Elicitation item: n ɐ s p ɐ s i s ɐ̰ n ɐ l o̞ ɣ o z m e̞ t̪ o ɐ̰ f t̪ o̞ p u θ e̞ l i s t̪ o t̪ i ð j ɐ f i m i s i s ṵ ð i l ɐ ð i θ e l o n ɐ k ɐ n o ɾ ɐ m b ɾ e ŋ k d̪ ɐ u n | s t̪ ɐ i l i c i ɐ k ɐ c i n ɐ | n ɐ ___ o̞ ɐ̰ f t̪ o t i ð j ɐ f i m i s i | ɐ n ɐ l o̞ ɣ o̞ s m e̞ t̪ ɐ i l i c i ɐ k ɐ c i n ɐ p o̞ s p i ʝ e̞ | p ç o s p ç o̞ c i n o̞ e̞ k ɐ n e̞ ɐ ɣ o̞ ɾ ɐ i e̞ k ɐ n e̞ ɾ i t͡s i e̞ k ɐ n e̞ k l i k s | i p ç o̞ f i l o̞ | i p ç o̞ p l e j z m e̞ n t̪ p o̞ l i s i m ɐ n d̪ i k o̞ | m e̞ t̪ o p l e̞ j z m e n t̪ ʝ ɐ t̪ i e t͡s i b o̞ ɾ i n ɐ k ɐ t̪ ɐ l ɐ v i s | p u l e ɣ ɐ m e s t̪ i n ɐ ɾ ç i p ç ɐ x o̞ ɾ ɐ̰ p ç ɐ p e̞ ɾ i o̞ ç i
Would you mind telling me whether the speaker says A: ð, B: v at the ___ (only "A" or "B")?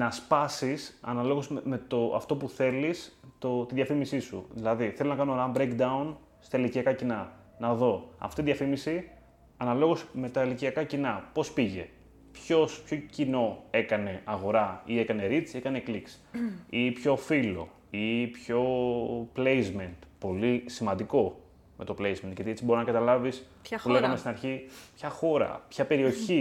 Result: A